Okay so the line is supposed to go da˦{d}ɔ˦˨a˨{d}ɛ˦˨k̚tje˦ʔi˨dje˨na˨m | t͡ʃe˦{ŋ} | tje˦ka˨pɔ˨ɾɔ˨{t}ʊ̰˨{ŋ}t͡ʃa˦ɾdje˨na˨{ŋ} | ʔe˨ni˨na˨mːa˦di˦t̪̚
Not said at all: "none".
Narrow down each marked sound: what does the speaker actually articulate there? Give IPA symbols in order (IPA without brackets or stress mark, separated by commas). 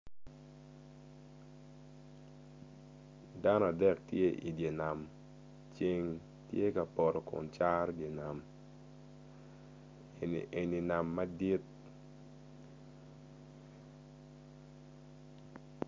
n, d, ŋ, k, n, m